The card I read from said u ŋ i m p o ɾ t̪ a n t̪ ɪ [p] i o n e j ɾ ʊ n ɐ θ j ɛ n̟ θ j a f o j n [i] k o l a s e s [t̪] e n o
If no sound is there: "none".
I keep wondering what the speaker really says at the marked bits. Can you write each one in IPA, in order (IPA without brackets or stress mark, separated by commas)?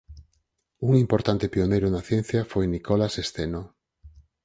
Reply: p, i, t̪